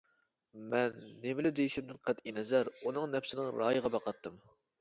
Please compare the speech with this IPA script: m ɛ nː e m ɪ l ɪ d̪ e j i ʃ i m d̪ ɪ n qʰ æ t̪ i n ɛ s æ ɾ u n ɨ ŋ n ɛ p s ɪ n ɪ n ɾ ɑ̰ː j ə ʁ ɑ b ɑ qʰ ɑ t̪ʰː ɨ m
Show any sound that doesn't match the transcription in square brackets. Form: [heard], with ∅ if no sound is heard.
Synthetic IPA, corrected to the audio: m ɛ nː e m ɪ l ɪ d̪ e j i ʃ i m d̪ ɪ n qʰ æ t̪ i n ɛ [z] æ ɾ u n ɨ ŋ n ɛ p s ɪ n ɪ [ŋ] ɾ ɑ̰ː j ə ʁ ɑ b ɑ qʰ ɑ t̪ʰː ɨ m

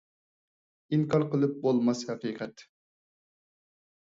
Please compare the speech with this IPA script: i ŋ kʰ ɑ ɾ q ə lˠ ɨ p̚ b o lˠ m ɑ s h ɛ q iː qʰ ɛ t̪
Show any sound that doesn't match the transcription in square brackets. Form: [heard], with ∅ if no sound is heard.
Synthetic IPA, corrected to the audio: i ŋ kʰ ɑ ɾ q ə lˠ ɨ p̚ b o lˠ m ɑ s h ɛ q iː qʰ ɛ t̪

